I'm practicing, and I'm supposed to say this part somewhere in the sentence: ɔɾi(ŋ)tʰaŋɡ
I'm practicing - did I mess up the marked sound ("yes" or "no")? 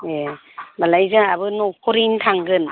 yes